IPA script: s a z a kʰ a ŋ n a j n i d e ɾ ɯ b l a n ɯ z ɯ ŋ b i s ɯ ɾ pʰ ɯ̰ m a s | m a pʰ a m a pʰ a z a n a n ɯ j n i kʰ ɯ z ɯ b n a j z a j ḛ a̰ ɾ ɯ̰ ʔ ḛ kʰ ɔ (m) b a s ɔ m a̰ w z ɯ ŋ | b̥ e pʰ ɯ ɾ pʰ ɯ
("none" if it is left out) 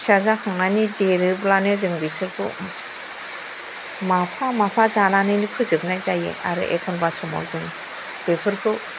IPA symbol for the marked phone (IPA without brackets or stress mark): n